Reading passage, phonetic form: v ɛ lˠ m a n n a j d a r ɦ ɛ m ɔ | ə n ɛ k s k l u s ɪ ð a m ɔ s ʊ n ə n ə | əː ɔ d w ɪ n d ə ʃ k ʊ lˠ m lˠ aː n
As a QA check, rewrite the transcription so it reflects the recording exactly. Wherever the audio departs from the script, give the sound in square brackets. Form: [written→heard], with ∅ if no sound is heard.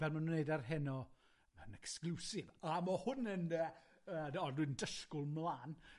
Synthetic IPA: v ɛ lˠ m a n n [a→e] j d a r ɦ ɛ [m→n] ɔ | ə n ɛ k s k l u s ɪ [ð→v] a m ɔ [s→h] ʊ n ə n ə | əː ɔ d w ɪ n d ə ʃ k ʊ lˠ m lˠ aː n